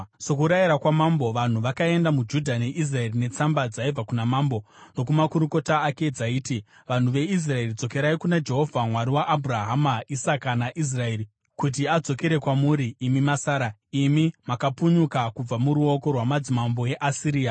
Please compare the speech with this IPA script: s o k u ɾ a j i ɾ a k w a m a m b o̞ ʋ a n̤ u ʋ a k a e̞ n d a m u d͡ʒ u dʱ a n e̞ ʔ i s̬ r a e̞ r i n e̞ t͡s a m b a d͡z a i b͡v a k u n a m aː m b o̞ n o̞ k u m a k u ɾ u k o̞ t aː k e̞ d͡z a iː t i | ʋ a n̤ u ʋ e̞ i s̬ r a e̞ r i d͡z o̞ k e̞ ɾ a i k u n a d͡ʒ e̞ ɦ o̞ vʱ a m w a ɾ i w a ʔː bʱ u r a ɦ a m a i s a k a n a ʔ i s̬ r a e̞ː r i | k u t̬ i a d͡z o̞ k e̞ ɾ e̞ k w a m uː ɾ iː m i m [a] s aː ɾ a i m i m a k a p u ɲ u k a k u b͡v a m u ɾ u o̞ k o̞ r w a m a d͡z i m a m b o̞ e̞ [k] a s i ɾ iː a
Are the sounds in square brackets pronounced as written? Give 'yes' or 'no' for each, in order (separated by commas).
yes, no